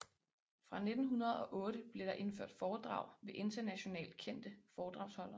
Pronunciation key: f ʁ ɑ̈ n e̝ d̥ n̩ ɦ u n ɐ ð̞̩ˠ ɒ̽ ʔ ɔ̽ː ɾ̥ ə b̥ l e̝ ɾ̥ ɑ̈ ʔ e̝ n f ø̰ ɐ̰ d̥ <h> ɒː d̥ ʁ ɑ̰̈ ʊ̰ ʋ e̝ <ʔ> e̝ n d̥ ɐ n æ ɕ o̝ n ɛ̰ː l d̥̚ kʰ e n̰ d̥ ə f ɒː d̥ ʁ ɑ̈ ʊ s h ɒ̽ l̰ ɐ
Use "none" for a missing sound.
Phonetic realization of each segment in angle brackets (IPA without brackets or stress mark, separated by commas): f, ʔ